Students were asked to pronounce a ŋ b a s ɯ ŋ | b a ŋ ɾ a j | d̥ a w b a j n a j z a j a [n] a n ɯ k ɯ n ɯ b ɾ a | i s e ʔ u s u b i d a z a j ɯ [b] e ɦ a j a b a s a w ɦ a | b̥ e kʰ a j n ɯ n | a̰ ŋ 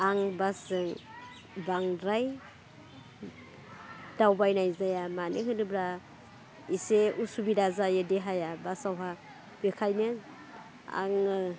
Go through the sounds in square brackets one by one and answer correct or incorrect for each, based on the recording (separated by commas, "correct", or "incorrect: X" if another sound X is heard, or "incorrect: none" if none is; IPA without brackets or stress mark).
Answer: incorrect: m, incorrect: d